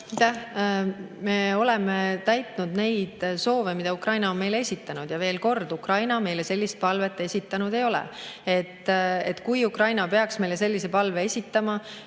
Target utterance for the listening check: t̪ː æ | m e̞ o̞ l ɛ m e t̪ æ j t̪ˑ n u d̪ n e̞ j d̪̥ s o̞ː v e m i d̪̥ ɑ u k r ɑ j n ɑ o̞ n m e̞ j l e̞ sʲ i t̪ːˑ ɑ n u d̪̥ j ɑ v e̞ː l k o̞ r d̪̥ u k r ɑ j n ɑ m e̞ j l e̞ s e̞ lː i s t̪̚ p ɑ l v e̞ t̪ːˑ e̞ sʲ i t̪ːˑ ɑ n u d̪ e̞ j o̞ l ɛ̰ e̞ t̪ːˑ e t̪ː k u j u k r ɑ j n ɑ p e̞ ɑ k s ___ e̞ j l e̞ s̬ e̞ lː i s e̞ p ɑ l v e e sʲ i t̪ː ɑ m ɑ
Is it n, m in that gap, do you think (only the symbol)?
m